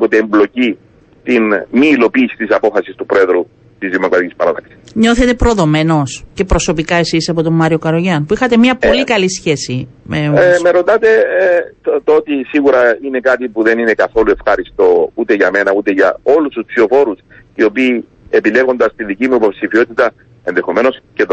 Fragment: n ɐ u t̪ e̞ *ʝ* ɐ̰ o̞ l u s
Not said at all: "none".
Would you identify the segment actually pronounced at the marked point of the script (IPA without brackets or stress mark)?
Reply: ʝ